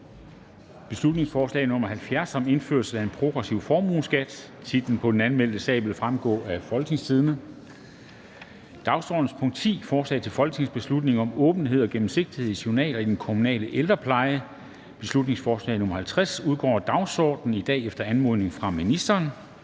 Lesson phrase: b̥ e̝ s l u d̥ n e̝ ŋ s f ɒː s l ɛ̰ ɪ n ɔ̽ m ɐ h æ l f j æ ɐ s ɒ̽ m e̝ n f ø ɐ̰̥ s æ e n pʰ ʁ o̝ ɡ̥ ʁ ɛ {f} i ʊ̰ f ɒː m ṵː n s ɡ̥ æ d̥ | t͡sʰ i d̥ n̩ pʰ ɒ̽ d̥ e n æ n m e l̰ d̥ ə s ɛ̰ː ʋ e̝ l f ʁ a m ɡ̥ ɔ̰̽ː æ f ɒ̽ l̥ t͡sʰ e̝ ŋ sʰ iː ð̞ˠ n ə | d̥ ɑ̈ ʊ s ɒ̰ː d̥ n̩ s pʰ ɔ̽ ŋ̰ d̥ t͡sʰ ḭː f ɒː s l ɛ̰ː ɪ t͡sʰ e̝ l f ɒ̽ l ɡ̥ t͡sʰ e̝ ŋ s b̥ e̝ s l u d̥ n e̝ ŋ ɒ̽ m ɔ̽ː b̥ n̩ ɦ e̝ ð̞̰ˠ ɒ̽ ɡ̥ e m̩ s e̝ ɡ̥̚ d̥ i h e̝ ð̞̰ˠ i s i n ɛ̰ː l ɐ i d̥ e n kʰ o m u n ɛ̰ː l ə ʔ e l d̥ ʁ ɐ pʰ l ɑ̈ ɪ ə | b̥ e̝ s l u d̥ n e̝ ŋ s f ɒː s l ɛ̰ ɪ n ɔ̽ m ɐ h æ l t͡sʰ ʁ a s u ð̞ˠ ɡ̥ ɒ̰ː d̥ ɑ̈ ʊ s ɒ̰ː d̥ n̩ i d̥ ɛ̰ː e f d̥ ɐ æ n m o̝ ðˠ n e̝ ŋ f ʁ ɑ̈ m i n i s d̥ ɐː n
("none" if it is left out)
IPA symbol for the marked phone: s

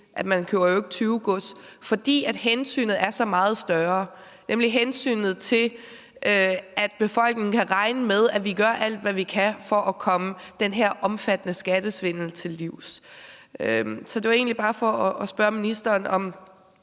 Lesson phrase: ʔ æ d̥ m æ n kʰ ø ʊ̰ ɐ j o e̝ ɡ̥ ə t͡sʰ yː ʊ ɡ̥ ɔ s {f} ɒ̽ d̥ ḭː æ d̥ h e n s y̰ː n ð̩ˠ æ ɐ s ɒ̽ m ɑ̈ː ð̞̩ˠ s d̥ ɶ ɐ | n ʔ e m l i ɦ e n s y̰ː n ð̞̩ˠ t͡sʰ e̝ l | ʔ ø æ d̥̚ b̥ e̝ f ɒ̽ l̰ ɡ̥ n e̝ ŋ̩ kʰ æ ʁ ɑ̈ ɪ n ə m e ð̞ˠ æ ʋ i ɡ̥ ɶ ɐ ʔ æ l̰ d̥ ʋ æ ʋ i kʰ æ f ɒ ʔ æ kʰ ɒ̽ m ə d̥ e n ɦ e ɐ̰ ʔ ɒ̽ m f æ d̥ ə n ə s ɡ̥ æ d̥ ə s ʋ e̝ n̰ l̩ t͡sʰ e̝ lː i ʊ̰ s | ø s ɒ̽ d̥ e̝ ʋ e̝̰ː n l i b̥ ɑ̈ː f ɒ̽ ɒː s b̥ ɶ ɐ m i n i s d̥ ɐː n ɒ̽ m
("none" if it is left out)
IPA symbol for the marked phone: f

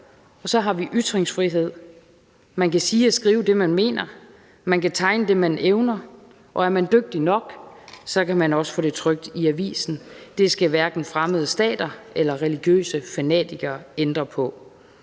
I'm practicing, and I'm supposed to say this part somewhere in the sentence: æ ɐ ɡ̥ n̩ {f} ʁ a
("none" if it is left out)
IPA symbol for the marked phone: f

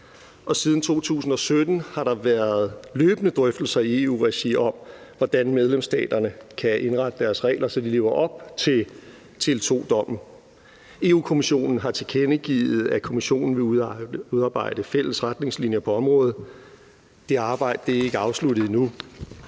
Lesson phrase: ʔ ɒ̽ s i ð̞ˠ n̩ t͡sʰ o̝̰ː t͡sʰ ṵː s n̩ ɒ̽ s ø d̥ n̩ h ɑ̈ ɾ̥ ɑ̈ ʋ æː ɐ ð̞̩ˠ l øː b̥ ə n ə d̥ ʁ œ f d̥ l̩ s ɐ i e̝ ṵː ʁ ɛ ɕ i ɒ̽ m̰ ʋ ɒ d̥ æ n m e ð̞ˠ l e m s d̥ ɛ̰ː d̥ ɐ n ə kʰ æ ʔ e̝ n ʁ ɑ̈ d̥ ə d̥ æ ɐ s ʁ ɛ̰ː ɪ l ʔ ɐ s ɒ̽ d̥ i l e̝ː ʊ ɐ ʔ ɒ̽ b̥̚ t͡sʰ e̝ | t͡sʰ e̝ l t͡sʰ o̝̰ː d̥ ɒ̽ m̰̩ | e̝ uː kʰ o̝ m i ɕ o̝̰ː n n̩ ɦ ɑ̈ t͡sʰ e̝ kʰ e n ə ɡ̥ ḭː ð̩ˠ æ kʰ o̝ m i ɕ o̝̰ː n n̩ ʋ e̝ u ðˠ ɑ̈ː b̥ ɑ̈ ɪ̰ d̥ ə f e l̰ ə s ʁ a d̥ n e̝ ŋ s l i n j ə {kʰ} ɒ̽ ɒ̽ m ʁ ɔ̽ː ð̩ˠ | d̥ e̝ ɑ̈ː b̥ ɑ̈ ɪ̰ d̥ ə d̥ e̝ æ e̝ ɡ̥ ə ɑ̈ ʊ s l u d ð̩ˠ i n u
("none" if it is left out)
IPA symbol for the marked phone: pʰ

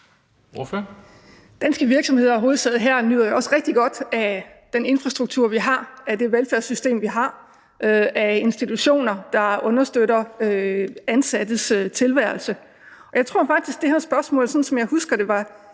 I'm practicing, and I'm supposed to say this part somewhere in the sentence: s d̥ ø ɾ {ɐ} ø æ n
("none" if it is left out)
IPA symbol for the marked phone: ɐ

